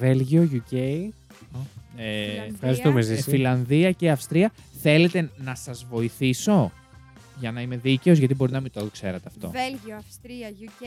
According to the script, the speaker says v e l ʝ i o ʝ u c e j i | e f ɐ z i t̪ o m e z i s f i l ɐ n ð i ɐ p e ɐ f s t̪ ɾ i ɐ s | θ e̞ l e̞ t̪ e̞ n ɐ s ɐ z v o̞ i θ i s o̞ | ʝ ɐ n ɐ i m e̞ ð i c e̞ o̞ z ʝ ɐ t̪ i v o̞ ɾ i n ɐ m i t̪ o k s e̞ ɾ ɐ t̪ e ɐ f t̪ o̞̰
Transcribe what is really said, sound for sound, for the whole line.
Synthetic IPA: v e l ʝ i o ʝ u c e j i | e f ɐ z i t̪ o m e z i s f i l ɐ n ð i ɐ c e ɐ f s t̪ ɾ i ɐ | θ e̞ l e̞ t̪ e̞ n ɐ s ɐ z v o̞ i θ i s o̞ | ʝ ɐ n ɐ i m e̞ ð i c e̞ o̞ z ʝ ɐ t̪ i b o̞ ɾ i n ɐ m i t̪ o k s e̞ ɾ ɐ t̪ e ɐ f t̪ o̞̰